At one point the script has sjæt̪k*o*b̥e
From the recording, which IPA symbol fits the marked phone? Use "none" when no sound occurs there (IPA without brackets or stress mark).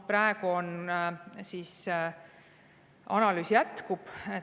u